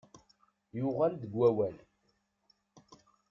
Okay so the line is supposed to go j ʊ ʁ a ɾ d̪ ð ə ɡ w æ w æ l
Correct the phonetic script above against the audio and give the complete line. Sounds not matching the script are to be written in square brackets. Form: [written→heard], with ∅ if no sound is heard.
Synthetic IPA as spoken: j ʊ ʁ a [ɾ→l] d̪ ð ə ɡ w æ w æ l